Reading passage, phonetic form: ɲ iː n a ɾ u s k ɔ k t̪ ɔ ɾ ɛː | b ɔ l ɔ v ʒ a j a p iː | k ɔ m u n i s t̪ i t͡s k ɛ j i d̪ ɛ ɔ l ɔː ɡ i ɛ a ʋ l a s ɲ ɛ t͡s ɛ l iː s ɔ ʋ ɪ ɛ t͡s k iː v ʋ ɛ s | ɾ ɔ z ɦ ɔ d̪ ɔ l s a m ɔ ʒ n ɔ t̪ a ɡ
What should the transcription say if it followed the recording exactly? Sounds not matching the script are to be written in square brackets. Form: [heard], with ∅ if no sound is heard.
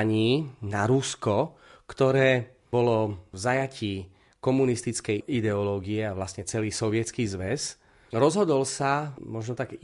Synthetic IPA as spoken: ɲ iː n a ɾ u s k ɔ k t̪ ɔ ɾ ɛː | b ɔ l ɔ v [z] a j a [c] iː | k ɔ m u n i s t̪ i t͡s k ɛ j i d̪ ɛ ɔ l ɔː ɡ i ɛ a ʋ l a s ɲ ɛ t͡s ɛ l iː s ɔ ʋ ɪ ɛ t͡s k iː [z] ʋ ɛ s | ɾ ɔ z ɦ ɔ d̪ ɔ l s a m ɔ ʒ n ɔ t̪ a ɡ